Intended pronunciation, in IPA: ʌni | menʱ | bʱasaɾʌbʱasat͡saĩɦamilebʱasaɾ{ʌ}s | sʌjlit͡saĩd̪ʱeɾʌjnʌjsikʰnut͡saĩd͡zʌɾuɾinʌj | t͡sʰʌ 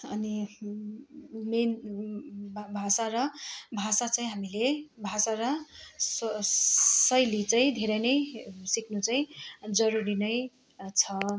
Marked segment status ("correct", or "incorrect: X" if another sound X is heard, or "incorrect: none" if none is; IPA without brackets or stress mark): correct